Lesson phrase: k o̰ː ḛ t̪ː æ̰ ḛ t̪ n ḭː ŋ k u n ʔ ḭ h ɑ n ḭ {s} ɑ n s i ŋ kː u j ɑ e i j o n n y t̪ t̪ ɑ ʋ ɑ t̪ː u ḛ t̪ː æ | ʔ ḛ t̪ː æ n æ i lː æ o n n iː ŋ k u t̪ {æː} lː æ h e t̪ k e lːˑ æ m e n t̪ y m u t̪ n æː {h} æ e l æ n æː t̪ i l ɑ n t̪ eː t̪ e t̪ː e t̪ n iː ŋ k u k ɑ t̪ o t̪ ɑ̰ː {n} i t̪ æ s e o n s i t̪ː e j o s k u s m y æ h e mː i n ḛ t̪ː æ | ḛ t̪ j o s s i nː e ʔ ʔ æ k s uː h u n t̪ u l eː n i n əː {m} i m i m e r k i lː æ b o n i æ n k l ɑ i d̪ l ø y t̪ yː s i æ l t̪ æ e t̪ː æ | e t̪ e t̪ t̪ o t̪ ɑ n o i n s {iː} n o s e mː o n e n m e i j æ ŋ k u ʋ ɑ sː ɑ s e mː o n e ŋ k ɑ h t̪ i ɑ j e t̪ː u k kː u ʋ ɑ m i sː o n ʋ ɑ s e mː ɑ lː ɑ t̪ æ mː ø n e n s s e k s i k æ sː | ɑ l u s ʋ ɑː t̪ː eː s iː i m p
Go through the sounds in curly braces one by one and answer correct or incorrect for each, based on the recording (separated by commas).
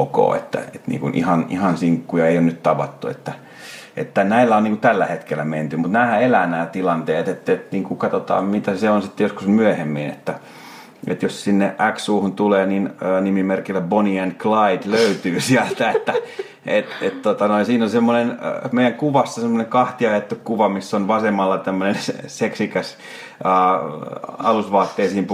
incorrect, incorrect, correct, incorrect, incorrect, correct